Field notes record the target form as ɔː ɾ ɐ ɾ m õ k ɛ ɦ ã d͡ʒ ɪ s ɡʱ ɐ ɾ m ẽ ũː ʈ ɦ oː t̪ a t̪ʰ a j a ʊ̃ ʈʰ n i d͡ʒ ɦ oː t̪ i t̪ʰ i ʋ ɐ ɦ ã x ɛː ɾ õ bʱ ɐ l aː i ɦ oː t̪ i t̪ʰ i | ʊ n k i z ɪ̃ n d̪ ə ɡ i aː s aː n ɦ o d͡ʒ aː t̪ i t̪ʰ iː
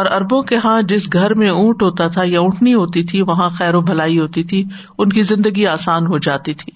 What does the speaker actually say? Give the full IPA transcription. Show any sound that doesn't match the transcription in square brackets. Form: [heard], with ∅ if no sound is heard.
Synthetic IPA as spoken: ɔː ɾ ɐ ɾ [b] õ k [e] ɦ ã d͡ʒ ɪ s ɡʱ ɐ ɾ m ẽ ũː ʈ ɦ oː t̪ a t̪ʰ a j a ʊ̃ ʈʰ n i [∅] ɦ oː t̪ i t̪ʰ i ʋ ɐ ɦ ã x ɛː ɾ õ bʱ ɐ l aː i ɦ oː t̪ i t̪ʰ i | ʊ n k i z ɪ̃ n d̪ ə ɡ i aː s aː n ɦ o d͡ʒ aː t̪ i t̪ʰ iː